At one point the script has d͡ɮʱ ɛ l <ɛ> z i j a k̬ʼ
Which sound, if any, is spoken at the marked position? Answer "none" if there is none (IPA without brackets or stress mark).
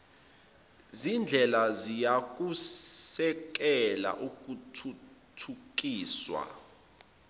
a